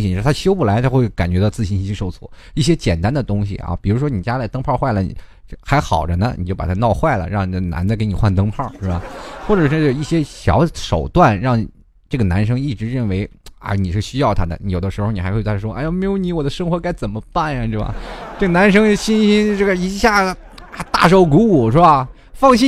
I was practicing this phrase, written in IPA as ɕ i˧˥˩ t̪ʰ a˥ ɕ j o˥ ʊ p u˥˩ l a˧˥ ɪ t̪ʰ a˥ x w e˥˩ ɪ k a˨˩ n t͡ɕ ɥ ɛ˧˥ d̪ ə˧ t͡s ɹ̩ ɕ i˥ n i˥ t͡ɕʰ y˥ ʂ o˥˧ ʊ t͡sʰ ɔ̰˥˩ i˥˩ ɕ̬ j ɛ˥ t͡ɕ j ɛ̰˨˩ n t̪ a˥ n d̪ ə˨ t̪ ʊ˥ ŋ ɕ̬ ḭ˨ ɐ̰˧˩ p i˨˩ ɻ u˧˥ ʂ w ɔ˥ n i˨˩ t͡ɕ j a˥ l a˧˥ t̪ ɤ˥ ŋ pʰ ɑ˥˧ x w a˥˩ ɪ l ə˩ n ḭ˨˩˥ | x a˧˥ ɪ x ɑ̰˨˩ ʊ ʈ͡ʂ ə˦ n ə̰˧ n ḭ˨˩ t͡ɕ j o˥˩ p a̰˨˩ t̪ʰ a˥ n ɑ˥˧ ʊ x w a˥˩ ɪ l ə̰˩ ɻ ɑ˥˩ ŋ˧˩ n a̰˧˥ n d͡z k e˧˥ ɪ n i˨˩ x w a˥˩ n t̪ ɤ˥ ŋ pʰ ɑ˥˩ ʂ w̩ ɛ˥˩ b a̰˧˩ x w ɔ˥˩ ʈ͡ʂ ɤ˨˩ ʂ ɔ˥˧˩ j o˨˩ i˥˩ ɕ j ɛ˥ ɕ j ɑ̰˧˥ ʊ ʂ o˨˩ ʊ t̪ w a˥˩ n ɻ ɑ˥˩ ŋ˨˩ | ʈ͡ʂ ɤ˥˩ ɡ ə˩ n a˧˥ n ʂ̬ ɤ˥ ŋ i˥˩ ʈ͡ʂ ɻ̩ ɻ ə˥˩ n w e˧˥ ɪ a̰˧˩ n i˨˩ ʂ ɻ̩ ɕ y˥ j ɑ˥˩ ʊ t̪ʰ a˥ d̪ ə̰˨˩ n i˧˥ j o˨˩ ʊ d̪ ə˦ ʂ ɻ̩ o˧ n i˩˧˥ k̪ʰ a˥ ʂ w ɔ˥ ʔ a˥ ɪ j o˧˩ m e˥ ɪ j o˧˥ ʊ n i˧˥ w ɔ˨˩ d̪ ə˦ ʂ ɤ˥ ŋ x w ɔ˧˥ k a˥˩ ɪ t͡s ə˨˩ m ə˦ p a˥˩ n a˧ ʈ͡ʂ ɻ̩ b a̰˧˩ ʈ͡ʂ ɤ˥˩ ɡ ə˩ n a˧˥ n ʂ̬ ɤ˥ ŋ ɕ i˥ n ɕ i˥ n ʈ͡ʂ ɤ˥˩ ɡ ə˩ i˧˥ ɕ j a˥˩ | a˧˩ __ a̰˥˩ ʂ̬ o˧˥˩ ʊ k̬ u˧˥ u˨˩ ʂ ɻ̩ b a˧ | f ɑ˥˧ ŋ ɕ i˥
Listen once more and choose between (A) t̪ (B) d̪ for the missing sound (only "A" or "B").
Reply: A